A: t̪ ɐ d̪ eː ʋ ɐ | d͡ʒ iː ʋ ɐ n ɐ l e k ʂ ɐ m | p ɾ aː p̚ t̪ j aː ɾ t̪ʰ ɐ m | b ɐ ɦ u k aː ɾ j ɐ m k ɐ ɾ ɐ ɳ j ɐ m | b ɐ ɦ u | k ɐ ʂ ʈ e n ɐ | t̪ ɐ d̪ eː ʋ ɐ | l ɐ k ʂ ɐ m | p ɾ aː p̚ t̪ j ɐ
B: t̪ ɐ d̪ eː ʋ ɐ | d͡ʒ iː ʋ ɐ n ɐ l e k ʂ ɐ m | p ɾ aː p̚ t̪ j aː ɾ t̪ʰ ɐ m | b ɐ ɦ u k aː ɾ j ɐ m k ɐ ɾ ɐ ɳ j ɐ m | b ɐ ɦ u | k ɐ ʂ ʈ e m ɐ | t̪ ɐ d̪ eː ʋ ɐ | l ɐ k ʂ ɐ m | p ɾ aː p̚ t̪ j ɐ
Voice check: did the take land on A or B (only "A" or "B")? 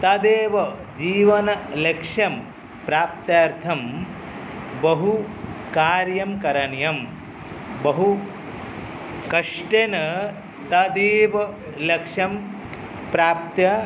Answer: A